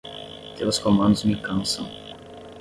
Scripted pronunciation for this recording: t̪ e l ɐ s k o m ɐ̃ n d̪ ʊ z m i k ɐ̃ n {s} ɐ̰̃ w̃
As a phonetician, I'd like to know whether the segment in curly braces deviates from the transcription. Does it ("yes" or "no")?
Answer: no